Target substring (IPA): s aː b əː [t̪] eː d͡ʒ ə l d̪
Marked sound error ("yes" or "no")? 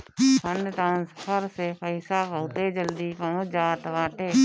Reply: no